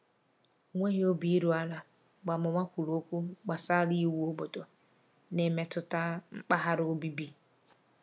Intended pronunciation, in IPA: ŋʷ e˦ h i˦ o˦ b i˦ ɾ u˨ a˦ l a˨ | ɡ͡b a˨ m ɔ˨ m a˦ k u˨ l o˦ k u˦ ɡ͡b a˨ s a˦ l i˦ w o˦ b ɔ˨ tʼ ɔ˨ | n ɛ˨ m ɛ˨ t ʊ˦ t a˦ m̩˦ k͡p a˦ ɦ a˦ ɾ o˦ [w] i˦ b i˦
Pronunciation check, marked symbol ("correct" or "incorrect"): incorrect